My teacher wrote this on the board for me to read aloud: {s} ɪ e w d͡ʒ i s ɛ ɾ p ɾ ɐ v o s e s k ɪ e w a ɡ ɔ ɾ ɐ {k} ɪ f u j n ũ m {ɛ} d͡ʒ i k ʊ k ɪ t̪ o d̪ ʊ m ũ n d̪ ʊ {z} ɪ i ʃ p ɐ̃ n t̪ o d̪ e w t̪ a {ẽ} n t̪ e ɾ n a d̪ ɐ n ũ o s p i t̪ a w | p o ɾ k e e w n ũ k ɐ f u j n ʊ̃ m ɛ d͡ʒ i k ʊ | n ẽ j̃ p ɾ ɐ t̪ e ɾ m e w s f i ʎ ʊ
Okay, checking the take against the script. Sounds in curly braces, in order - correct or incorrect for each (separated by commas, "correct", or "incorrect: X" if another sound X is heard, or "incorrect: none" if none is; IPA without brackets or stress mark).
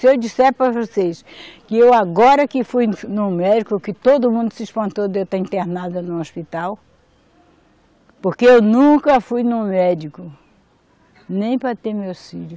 correct, correct, correct, incorrect: s, incorrect: ĩ